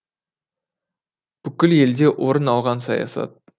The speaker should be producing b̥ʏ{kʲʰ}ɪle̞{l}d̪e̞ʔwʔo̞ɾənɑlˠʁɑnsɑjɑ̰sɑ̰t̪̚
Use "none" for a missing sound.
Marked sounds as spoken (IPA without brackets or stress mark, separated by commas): kʲ, l